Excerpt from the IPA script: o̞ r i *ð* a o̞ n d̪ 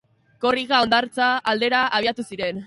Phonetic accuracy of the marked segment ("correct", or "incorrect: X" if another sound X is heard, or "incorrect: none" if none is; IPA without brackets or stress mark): incorrect: ɣ